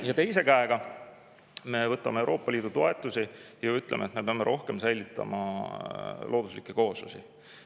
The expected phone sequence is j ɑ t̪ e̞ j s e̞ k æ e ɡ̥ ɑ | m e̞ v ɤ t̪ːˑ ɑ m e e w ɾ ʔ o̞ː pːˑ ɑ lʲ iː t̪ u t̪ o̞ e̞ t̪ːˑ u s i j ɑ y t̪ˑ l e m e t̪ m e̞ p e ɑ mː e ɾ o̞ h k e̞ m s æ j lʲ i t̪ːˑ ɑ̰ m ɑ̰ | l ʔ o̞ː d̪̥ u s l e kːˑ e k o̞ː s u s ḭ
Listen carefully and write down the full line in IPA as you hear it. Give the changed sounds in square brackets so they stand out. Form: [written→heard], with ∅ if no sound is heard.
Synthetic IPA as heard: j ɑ t̪ e̞ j s e̞ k æ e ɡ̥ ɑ | m e̞ v ɤ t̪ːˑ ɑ m e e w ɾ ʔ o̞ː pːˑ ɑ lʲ iː [t̪→d̪] u t̪ o̞ e̞ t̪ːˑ u s i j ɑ y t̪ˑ l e m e t̪ m e̞ p e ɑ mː e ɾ o̞ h k e̞ m s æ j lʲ i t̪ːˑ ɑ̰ m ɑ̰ | l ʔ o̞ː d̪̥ u s l [e→i] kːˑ e k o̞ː s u s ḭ